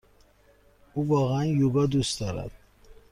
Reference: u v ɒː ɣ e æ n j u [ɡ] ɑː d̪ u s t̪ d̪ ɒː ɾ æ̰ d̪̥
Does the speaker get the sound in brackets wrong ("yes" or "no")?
no